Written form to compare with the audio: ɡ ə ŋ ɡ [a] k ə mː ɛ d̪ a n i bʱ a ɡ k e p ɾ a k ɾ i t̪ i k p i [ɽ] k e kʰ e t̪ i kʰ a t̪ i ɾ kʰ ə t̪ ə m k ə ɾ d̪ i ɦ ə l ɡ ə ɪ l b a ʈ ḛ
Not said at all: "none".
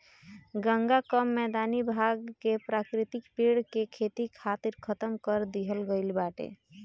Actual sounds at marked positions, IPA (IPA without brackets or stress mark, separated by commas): a, ɽ